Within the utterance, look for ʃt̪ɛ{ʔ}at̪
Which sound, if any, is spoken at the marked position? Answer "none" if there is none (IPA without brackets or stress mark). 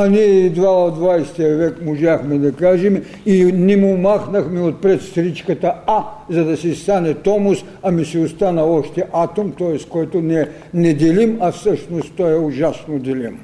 ʔ